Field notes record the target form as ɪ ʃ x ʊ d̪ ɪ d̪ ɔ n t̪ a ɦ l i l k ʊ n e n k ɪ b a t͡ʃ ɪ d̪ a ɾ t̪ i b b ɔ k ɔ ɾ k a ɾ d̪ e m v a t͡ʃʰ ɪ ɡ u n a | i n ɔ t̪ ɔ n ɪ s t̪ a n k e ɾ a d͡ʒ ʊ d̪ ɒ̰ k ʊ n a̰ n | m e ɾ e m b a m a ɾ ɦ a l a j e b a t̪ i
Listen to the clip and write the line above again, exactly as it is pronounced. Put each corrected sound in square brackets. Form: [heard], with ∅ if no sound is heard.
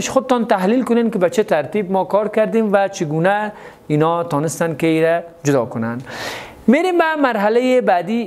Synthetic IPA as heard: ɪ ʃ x ʊ d̪ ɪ [t̪] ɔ n t̪ a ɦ l i l k ʊ n e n k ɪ b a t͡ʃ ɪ [t̪] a ɾ t̪ i b [m] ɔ k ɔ ɾ k a ɾ d̪ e m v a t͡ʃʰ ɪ ɡ u n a | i n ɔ t̪ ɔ n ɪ s t̪ a n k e ɾ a d͡ʒ ʊ d̪ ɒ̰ k ʊ n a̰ n | m e ɾ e m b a m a ɾ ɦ a l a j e b a [d̪] i